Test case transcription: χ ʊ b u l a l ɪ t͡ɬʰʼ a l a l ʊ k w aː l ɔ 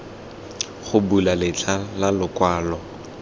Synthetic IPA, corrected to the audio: χ ʊ b u l a l ɪ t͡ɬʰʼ a l a l ʊ k w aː l ɔ